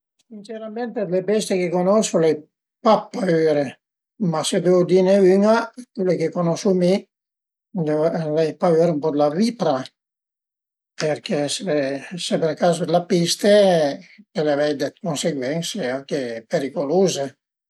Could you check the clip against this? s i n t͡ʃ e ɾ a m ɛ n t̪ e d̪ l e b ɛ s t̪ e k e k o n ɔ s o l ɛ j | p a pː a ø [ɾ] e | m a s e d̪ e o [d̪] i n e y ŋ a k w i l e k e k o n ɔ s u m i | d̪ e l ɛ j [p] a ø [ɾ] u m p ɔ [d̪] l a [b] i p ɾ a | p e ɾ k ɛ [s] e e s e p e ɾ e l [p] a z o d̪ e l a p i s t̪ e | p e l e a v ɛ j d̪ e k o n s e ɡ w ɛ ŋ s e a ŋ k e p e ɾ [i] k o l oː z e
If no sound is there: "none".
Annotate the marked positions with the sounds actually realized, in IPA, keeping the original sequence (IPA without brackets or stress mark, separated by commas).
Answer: ɾ, d̪, p, ɾ, d̪, v, s, k, i